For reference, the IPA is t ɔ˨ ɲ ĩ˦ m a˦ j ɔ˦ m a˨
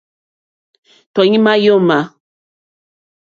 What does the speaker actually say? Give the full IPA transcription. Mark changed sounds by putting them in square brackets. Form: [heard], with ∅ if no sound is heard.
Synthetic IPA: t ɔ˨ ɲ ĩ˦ m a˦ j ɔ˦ m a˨